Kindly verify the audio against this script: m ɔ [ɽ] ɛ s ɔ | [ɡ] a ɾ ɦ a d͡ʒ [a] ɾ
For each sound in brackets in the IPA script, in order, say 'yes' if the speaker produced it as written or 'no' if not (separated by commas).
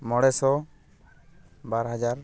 yes, no, yes